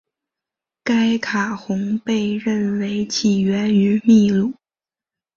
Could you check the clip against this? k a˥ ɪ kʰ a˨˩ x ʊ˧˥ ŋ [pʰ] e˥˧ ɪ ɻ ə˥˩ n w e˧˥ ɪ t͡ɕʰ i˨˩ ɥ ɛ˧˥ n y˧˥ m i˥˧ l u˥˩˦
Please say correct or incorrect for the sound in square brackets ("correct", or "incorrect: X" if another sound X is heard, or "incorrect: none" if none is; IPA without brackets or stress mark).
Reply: incorrect: p